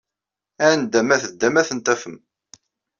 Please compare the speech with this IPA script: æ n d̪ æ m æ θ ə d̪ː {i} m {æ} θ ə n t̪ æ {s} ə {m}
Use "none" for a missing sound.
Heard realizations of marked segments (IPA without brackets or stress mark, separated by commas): æ, æ, f, m